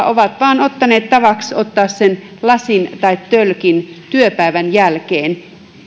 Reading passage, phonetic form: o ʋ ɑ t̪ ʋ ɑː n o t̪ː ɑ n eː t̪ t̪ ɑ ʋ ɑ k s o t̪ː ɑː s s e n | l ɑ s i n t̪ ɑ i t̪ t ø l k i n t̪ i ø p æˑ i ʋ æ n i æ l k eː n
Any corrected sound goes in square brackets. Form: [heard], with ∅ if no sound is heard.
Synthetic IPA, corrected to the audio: o ʋ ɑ t̪ ʋ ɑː n o t̪ː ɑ n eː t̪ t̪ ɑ ʋ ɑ k s o t̪ː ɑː s s e n | l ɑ s i n t̪ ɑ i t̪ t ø l k i n t̪ [y] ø p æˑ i ʋ æ n [j] æ l k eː n